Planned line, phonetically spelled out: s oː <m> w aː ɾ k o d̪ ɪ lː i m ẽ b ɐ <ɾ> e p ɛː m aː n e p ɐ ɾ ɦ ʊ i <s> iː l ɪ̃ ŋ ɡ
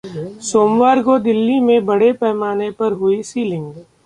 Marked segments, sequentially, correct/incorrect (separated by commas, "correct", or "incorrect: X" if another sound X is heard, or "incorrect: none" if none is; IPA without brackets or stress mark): correct, incorrect: ɽ, correct